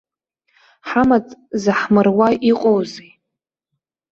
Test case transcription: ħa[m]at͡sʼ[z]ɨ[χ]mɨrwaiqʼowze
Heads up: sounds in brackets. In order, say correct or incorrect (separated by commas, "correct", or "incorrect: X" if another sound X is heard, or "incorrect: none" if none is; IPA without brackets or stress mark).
correct, correct, incorrect: ħ